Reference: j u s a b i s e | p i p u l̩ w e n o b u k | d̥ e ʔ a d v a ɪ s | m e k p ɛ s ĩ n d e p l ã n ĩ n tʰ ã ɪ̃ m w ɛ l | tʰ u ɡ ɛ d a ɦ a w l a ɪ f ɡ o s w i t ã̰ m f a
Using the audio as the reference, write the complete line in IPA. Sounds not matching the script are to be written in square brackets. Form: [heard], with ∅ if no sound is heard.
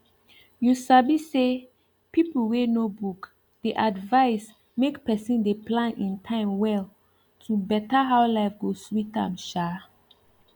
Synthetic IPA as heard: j u s a b i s e | p i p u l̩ w e n o b u k | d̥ e ʔ a d v a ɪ s | m e k p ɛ s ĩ n d e p l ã n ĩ n tʰ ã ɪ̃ m w ɛ l | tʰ u [b] ɛ [t] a ɦ a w l a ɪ f ɡ o s w i t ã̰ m [ʃ] a